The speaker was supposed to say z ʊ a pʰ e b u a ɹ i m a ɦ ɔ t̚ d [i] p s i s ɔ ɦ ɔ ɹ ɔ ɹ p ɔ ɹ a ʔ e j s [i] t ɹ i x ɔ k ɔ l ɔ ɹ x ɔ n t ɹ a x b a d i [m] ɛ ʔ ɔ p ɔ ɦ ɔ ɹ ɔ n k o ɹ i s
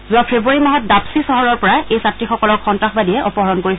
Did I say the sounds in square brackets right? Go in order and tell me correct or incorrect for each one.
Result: incorrect, incorrect, incorrect

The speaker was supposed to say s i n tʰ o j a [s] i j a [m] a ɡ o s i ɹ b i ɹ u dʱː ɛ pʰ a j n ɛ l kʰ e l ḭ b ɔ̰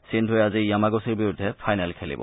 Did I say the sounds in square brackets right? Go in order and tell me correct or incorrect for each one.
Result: incorrect, correct

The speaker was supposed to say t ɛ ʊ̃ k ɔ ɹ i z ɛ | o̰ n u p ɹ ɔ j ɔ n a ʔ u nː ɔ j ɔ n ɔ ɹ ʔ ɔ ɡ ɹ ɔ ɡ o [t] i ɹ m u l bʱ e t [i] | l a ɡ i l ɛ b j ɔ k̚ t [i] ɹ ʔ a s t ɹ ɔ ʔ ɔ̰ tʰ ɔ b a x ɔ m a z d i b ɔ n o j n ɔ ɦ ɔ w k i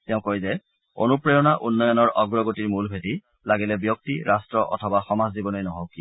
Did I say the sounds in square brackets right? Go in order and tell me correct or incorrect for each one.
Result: correct, correct, correct

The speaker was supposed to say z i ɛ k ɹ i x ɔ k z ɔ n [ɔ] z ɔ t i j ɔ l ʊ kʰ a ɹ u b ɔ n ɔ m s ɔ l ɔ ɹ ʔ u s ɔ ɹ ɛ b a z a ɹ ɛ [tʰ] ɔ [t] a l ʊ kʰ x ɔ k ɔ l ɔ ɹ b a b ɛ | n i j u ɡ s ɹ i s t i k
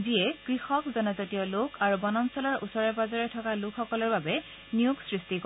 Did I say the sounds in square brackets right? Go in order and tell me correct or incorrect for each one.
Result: correct, correct, incorrect

